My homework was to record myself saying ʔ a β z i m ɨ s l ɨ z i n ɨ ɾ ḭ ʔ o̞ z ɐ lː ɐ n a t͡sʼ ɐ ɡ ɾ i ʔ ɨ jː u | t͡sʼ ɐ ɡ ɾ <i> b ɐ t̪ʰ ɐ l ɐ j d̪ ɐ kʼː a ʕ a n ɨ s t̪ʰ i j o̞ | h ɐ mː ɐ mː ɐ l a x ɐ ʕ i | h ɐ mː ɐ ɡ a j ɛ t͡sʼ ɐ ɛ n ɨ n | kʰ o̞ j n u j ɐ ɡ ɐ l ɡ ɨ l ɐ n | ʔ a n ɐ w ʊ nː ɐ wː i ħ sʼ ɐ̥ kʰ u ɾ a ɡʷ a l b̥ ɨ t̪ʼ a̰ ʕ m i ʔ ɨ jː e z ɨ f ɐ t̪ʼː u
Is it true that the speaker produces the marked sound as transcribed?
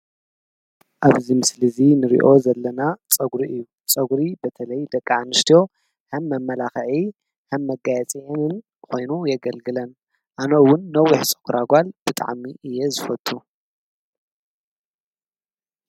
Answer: yes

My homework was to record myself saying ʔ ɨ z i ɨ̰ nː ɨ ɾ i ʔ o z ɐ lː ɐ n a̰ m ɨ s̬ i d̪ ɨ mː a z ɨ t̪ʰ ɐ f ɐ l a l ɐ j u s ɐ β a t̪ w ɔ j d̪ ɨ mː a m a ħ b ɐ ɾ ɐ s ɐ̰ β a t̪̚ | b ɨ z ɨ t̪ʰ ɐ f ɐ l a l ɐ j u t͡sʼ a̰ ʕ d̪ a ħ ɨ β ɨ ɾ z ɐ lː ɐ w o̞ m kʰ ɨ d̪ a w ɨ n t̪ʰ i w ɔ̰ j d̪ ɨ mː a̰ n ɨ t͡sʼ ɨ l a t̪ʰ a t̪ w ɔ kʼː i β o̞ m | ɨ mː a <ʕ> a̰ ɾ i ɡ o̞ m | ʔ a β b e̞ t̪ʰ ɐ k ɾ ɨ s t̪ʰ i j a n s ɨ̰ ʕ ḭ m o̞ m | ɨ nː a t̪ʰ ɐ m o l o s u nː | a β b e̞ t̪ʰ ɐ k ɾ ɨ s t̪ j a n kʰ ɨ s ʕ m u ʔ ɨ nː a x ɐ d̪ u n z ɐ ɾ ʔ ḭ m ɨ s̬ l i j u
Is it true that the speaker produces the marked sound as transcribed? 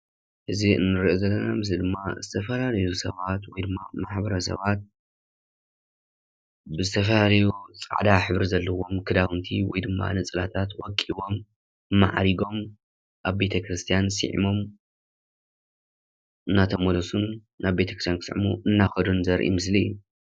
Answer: yes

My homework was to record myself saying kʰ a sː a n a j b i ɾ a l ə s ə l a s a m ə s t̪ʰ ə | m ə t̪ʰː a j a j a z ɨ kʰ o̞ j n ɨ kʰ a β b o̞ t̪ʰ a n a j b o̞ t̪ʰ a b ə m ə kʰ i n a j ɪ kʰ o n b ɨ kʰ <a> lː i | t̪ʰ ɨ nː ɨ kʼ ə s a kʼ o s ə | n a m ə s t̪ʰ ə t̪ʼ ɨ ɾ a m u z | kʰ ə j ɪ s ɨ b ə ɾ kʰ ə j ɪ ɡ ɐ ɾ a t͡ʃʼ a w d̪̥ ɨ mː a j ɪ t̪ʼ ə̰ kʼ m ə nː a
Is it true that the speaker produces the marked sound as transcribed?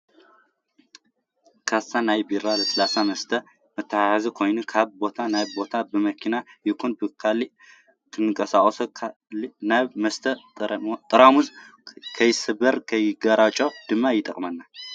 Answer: yes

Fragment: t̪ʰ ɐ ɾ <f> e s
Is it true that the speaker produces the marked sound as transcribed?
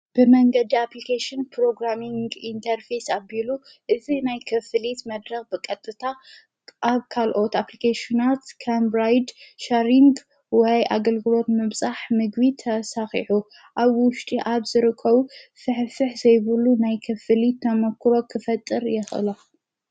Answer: yes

